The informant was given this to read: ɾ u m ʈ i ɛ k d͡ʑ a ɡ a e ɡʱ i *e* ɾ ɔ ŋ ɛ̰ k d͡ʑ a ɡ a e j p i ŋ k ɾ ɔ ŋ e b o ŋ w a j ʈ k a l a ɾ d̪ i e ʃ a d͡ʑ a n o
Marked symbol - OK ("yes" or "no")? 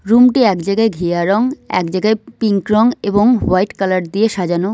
no